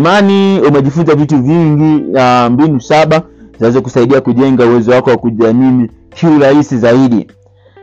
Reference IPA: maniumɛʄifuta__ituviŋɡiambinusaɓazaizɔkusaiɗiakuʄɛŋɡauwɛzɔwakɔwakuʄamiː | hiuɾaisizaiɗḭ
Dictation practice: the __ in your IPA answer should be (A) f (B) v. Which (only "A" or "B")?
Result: B